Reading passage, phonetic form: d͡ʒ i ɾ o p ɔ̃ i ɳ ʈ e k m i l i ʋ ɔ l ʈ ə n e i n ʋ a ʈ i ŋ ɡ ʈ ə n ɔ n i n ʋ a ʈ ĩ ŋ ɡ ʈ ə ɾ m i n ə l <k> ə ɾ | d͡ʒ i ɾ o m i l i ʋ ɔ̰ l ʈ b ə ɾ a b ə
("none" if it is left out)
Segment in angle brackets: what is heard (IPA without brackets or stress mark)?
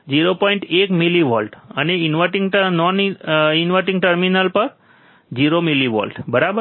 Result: p